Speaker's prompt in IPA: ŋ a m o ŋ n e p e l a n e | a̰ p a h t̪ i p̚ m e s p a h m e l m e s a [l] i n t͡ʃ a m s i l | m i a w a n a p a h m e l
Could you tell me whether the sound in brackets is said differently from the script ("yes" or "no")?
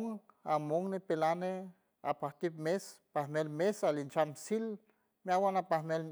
no